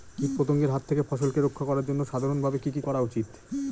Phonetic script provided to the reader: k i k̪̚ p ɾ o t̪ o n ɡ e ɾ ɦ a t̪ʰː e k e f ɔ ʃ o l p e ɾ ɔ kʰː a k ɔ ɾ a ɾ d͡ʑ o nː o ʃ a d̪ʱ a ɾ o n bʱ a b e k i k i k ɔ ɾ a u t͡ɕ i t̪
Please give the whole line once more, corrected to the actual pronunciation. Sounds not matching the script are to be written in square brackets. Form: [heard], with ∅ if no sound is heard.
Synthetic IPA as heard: k i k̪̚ p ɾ o t̪ o [ŋ] ɡ e ɾ ɦ a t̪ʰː e k e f ɔ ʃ o l [k] e ɾ [o] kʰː a k ɔ ɾ a ɾ d͡ʑ o nː o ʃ a d̪ʱ a ɾ o n bʱ a b e k i k i k ɔ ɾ a u t͡ɕ i t̪